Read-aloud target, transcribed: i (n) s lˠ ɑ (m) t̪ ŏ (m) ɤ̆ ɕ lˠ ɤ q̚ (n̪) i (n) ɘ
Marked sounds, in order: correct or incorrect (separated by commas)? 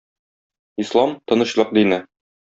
incorrect, correct, incorrect, incorrect, correct